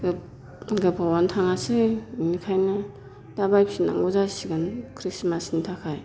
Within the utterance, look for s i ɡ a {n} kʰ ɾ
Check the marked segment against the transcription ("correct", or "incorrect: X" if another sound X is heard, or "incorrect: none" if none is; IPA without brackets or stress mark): correct